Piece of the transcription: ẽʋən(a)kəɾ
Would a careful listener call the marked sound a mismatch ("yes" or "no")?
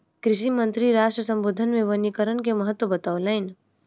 yes